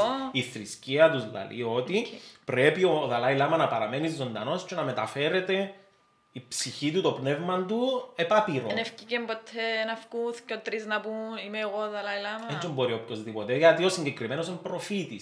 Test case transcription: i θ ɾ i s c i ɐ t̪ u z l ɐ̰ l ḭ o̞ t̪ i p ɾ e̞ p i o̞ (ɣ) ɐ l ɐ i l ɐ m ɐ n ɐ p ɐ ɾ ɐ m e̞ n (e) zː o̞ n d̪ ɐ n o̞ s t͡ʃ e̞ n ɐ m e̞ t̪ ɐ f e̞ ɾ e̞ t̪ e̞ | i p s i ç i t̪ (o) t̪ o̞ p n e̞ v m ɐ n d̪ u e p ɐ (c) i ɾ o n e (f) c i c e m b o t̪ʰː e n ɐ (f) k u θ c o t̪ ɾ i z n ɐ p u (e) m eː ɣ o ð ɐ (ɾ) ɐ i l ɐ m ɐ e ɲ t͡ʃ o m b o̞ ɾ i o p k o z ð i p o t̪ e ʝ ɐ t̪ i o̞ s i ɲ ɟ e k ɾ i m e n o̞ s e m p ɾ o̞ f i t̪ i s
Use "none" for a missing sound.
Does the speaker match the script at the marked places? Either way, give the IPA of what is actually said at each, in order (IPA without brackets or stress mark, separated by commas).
ð, i, u, p, f, f, i, l